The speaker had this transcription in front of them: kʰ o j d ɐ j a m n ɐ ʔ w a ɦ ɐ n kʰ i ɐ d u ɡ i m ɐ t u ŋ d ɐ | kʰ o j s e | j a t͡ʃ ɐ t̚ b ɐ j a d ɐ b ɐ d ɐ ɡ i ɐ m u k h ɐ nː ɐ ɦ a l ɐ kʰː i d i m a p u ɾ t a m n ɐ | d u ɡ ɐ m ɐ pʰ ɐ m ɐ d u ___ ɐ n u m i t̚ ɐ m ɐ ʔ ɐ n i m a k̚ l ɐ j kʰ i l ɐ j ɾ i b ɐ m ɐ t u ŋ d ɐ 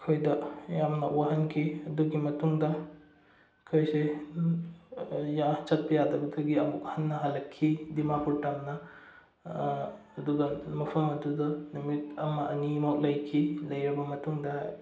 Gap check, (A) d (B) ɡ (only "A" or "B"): A